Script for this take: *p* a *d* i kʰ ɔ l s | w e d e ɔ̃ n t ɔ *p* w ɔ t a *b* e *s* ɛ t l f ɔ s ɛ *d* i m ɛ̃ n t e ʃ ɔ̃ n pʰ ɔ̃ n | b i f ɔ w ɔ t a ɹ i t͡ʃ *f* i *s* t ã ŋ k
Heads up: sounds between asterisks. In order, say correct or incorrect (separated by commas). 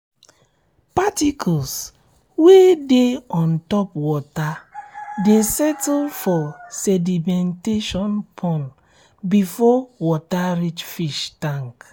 correct, incorrect, correct, incorrect, correct, correct, correct, incorrect